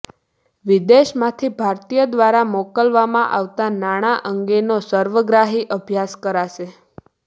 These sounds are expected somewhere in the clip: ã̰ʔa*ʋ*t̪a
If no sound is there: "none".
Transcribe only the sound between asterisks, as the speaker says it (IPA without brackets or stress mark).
ʋ